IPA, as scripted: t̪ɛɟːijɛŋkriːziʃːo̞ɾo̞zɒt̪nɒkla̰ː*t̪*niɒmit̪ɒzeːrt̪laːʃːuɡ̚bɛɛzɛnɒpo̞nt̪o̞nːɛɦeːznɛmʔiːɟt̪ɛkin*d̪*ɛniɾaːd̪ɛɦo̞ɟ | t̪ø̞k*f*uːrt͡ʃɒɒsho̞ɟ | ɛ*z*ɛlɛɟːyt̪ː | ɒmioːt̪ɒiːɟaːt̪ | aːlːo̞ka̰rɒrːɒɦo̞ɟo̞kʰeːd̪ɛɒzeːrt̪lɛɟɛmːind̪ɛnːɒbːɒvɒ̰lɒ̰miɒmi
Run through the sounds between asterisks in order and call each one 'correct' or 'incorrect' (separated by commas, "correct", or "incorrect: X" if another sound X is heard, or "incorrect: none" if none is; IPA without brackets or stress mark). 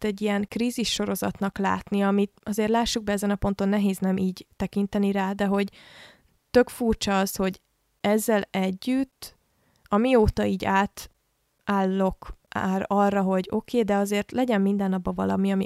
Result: correct, incorrect: t̪, correct, incorrect: zː